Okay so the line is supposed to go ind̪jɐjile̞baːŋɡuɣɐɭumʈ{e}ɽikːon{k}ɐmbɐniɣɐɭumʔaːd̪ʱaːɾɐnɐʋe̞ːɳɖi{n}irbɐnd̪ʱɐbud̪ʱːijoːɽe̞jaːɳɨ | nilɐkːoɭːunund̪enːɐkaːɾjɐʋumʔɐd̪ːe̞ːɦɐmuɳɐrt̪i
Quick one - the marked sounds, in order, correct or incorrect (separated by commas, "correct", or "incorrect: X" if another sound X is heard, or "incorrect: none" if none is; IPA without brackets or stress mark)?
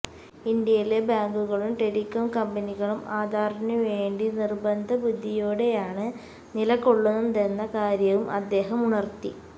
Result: correct, correct, correct